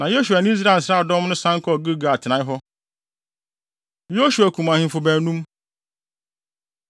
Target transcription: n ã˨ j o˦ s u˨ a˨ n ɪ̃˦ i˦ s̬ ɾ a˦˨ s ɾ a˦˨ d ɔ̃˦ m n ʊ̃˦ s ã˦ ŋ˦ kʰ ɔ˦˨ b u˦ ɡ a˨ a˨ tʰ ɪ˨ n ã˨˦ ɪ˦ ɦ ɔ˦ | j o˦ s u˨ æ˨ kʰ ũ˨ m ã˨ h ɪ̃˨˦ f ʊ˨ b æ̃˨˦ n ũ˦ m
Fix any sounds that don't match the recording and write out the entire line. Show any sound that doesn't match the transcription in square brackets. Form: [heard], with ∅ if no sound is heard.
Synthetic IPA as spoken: n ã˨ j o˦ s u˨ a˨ n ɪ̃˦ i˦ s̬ ɾ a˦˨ s ɾ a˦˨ d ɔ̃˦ m n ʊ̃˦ s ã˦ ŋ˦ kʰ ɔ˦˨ [ɡ] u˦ ɡ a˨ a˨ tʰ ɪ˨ n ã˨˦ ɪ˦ ɦ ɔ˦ | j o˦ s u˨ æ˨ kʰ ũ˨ m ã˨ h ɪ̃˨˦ f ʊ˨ b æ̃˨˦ n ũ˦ m